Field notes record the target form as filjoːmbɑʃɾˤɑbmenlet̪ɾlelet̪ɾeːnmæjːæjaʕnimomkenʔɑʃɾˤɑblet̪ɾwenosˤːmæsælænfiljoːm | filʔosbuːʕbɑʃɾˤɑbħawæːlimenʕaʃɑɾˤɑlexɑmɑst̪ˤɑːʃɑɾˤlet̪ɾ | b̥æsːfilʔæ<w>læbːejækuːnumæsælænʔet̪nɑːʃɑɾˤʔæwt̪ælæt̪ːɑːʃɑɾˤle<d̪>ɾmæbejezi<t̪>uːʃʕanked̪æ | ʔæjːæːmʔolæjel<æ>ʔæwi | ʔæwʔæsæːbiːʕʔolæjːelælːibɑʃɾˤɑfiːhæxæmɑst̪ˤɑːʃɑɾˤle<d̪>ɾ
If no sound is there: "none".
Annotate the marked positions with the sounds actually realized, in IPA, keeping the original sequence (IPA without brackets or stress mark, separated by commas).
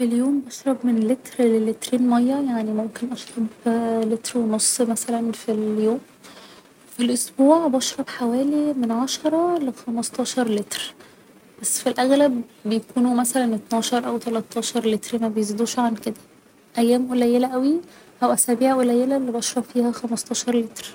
ɣ, t̪, d̪, æ, t̪